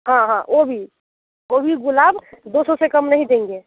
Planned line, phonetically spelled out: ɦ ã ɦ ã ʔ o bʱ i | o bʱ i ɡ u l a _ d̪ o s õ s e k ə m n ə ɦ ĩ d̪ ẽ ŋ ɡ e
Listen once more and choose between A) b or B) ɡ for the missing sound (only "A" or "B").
A